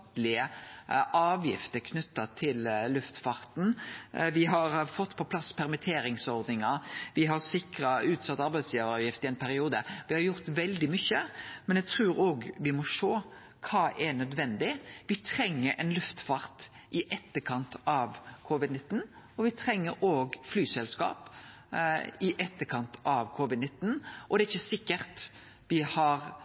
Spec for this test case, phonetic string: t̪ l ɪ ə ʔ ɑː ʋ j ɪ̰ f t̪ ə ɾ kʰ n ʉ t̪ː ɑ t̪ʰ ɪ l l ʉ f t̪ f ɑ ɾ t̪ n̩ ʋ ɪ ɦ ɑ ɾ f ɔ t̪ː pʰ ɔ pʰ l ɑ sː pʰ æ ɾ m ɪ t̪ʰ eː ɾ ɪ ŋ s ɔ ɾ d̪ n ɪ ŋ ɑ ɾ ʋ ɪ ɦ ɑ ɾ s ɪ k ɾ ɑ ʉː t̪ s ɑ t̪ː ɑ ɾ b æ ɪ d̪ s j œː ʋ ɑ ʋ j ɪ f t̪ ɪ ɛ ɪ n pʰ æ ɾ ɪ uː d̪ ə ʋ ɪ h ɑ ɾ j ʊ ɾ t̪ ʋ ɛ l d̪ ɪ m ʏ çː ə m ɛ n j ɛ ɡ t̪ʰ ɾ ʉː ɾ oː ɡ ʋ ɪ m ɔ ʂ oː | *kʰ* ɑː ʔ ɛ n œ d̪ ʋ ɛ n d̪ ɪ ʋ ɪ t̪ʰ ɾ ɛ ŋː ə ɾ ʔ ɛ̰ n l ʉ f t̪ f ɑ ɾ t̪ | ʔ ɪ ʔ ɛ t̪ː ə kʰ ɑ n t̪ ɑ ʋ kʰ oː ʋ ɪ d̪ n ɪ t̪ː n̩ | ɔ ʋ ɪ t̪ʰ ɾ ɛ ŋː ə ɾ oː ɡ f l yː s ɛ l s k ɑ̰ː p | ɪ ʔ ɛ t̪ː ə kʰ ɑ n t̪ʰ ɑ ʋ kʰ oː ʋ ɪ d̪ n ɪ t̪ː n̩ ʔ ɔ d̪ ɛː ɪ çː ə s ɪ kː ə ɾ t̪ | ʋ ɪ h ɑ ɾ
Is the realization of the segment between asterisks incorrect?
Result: no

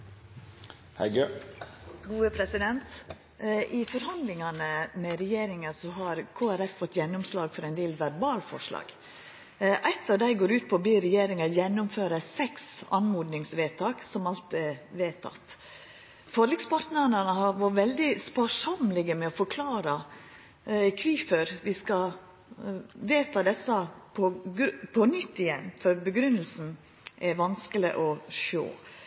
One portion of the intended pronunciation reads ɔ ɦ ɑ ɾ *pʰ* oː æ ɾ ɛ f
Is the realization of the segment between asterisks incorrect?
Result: yes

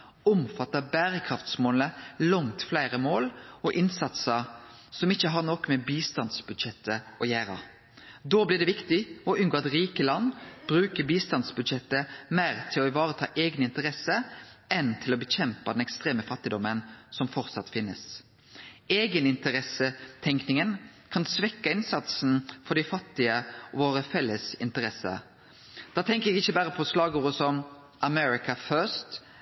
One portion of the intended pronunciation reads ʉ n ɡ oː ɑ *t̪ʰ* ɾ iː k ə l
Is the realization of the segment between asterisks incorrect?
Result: yes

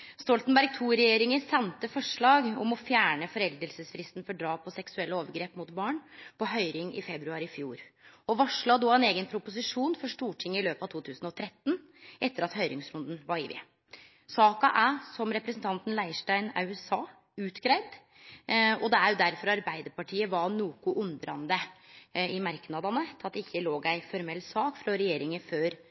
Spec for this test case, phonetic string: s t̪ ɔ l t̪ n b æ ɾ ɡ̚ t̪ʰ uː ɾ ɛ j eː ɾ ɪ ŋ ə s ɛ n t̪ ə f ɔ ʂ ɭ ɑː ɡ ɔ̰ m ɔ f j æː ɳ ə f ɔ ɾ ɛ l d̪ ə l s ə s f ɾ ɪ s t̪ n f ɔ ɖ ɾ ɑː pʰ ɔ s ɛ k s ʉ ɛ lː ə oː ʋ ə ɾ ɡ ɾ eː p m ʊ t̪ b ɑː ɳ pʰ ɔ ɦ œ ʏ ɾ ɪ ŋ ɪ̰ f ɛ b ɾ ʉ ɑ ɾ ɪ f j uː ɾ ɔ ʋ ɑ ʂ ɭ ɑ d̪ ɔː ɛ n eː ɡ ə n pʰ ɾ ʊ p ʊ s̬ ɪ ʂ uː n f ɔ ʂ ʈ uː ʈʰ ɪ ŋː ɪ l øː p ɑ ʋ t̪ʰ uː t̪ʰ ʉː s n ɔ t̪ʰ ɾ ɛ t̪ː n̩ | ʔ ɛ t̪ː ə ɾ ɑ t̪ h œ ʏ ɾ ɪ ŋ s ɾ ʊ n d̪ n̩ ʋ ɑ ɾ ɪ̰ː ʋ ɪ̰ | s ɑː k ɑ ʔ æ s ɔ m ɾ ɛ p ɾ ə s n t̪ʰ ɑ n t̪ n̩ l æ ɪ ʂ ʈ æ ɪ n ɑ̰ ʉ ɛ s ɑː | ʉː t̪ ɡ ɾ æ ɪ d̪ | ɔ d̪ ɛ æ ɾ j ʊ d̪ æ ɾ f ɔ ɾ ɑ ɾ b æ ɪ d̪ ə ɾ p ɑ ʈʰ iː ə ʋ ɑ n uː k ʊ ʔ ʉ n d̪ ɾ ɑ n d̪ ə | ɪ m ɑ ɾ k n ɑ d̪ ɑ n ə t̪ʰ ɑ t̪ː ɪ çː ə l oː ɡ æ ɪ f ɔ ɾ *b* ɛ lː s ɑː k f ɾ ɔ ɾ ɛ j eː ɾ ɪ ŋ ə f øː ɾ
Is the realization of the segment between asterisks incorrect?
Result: yes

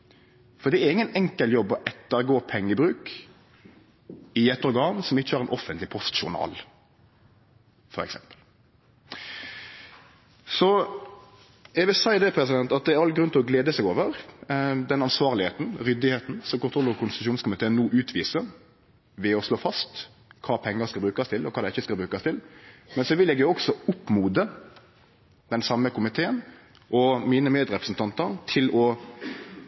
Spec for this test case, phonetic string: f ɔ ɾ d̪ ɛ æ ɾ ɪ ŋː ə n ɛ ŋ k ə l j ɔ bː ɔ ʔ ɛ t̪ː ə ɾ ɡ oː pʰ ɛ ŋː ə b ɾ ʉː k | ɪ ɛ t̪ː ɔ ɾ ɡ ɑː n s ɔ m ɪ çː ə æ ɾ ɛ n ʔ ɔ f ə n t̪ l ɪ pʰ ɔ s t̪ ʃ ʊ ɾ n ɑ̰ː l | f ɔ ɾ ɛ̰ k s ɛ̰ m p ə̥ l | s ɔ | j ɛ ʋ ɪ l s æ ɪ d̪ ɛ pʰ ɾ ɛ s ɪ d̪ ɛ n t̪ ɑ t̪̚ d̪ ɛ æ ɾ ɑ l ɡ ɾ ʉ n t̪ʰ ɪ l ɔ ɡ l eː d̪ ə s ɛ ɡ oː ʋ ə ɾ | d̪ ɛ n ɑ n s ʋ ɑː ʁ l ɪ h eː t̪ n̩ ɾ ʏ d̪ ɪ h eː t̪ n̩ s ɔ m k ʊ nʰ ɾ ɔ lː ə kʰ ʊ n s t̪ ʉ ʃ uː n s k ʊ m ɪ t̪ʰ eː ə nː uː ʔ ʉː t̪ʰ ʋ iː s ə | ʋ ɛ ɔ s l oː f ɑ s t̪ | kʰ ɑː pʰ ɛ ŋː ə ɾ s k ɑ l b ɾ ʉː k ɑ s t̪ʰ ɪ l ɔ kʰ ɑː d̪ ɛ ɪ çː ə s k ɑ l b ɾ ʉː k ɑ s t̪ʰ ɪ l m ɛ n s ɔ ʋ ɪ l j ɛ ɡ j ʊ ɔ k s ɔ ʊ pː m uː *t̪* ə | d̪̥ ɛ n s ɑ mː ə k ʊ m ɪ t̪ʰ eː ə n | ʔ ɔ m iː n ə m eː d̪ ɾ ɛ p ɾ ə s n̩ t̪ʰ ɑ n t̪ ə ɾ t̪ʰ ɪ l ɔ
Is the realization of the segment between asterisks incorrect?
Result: yes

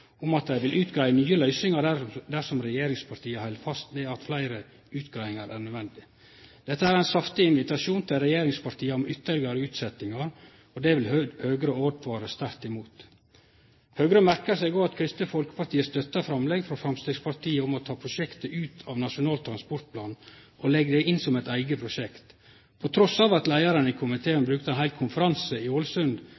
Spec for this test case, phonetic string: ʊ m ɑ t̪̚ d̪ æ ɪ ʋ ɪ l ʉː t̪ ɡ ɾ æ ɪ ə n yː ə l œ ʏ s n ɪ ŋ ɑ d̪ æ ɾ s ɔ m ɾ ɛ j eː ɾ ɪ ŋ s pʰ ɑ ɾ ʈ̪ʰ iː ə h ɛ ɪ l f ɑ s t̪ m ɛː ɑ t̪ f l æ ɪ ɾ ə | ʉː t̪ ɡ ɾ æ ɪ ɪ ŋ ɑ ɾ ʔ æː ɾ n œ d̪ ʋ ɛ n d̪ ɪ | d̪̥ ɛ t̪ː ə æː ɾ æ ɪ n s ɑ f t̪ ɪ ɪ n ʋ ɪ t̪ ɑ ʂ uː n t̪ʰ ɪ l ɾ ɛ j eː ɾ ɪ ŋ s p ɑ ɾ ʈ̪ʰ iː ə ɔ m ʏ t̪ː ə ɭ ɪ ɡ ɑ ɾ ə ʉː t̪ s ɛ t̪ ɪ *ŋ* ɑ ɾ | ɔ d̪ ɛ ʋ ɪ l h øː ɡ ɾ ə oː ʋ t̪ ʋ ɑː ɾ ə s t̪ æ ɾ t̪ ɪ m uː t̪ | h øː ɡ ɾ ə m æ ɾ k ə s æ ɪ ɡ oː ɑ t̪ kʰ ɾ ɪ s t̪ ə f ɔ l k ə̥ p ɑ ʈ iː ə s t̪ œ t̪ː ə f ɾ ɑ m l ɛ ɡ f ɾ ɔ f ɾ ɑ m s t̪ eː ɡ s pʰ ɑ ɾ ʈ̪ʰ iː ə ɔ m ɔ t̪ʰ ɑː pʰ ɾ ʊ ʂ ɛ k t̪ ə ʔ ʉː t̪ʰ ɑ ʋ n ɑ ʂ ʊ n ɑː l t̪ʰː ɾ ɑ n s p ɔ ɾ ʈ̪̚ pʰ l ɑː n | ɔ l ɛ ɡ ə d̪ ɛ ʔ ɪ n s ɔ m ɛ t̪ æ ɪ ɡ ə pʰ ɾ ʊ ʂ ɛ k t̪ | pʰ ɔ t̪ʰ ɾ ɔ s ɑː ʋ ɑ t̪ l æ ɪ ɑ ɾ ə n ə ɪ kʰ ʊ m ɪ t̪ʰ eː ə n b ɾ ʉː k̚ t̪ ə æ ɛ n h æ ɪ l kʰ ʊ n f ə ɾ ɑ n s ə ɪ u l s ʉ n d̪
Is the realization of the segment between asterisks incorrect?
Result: no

